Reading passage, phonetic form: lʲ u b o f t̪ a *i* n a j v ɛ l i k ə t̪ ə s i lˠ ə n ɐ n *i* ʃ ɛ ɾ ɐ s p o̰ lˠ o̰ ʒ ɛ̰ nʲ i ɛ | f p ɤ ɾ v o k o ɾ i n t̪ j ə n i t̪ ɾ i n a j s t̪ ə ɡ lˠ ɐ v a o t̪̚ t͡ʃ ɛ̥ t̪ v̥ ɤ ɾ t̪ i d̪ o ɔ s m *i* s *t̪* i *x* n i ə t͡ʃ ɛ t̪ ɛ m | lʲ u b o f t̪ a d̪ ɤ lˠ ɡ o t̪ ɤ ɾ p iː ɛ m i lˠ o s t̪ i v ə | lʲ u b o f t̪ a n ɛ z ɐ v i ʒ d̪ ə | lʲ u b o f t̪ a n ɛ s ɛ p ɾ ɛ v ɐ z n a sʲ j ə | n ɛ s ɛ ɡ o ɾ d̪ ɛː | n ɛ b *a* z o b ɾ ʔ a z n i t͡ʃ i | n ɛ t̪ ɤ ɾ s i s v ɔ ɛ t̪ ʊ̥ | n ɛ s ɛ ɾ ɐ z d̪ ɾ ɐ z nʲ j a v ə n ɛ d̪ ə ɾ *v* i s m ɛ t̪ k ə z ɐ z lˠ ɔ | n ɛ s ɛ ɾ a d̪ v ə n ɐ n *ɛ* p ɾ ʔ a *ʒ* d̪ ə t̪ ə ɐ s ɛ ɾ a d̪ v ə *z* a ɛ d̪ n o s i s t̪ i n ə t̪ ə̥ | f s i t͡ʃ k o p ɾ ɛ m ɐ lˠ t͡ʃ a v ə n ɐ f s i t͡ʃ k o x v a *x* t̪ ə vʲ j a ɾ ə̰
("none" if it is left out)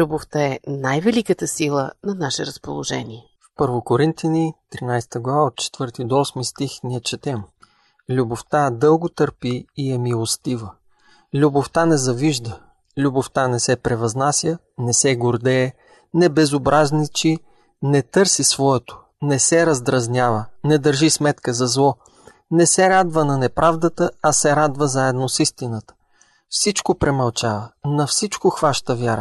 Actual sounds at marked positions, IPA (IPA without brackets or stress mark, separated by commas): ɛ, a, i, t̪, x, ɛ, ʒ, ɛ, v, z, ʃ